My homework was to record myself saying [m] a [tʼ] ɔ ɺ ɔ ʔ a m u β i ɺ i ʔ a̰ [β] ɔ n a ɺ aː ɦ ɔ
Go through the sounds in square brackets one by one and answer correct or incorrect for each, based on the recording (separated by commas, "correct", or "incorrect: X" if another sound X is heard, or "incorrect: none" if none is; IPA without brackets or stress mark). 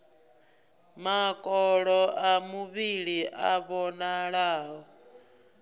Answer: correct, incorrect: kʼ, correct